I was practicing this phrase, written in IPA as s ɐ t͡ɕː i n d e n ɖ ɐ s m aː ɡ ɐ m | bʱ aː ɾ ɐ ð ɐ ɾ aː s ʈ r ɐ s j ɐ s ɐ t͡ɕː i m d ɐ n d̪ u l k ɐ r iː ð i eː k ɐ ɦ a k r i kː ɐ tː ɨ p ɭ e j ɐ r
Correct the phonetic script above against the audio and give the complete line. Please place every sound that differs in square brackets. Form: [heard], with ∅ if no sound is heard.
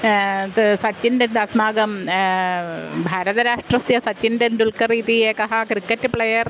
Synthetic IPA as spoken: s ɐ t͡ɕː i n d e n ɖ ɐ s m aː ɡ ɐ m | bʱ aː ɾ ɐ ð ɐ ɾ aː [ʂ] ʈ r ɐ s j ɐ s ɐ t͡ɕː i [n] d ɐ n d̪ u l k ɐ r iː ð i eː k ɐ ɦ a k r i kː ɐ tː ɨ p ɭ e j ɐ r